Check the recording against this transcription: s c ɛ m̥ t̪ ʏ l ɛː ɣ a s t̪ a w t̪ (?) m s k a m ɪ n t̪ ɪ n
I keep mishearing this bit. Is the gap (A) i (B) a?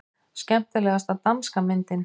B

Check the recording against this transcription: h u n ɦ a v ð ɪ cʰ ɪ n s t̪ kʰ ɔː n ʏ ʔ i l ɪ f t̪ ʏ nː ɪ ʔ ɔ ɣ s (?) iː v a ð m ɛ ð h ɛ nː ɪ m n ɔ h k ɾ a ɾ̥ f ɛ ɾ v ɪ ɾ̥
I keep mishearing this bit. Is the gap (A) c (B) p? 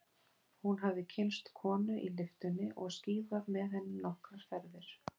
A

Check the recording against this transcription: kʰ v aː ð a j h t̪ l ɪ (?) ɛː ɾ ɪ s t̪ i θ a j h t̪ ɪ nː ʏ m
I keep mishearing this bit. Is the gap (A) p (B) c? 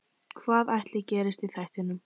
B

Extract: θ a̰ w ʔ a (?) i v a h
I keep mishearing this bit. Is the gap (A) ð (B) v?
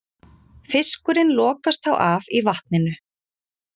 B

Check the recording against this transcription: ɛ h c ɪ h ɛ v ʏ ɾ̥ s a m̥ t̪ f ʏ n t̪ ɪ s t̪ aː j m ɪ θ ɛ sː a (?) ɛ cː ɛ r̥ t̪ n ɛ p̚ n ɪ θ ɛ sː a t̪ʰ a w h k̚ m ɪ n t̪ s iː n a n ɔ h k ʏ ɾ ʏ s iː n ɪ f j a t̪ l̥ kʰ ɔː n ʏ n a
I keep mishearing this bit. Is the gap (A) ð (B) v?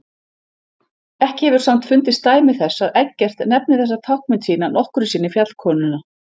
A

